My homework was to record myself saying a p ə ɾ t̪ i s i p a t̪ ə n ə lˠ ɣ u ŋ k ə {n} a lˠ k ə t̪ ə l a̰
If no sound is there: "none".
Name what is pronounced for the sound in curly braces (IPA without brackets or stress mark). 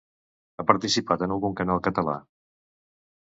n